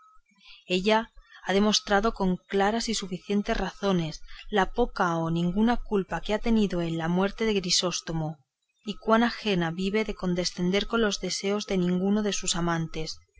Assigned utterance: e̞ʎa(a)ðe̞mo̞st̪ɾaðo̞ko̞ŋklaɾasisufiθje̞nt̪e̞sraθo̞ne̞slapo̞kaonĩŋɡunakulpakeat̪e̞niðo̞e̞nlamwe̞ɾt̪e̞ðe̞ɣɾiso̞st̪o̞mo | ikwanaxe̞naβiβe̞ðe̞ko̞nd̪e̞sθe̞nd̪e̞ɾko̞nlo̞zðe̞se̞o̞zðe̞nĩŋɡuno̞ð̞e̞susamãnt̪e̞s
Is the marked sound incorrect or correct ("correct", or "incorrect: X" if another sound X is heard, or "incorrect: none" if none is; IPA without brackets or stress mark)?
correct